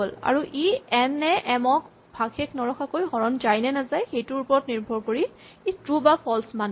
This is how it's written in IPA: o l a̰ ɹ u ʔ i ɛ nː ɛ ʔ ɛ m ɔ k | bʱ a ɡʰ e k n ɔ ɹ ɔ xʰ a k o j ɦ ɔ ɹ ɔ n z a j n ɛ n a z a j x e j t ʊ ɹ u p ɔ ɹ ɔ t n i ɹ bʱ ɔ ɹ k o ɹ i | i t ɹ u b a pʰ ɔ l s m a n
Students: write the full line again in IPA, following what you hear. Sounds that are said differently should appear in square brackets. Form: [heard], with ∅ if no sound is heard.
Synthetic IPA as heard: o l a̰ ɹ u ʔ i ɛ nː ɛ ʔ ɛ m ɔ k | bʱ a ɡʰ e k n ɔ ɹ ɔ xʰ a k o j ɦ ɔ ɹ ɔ n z a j n ɛ n a z a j x e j t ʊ ɹ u p ɔ ɹ ɔ t n i ɹ bʱ ɔ ɹ k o ɹ i | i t ɹ u b a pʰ ɔ l s m a n